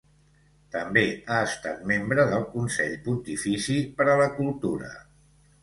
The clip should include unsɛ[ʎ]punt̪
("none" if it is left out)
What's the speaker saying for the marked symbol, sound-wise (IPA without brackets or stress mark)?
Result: ʎ